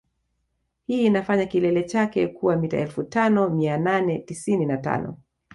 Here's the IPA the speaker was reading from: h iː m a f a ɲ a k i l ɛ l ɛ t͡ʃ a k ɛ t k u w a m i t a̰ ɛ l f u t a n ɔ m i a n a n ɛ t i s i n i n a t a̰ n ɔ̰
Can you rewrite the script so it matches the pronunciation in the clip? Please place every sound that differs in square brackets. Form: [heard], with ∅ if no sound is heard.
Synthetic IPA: h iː [n] a f a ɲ a k i l ɛ l ɛ t͡ʃ a k ɛ [∅] k u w a m i t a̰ ɛ l f u t a n ɔ m i a n a n ɛ t i s i n i n a t a̰ n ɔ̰